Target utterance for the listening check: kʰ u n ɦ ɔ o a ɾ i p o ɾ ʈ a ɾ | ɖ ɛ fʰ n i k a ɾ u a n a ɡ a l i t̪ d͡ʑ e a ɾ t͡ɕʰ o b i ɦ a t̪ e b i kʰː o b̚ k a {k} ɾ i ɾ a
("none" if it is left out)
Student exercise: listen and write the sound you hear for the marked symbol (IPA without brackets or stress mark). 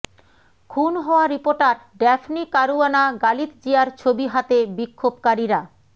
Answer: none